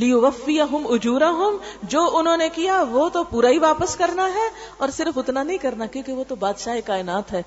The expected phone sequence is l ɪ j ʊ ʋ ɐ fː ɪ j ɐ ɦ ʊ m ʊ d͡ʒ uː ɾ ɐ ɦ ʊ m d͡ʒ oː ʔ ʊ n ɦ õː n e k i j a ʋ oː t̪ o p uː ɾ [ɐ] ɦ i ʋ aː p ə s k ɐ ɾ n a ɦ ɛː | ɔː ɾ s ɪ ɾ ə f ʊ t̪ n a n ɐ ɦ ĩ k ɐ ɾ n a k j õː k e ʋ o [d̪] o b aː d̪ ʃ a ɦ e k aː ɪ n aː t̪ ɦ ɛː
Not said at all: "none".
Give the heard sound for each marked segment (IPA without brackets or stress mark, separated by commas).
a, t̪